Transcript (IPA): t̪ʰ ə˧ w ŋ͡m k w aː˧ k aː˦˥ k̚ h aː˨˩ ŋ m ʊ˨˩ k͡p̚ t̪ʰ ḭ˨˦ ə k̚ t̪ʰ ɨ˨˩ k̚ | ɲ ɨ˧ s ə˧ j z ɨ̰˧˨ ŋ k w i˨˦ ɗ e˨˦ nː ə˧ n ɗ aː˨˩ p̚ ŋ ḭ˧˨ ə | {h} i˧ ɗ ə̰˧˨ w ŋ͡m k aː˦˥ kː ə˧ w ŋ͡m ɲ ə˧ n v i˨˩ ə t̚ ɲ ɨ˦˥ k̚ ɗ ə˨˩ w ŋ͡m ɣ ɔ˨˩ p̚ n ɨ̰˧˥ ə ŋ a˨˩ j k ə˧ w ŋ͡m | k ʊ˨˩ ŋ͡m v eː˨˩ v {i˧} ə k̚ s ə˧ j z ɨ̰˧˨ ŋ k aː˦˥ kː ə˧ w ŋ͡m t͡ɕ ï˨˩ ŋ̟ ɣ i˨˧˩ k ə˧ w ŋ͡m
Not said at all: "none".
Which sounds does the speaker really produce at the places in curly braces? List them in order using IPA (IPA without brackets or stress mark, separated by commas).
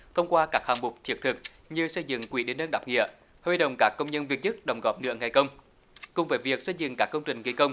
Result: h, i˨˩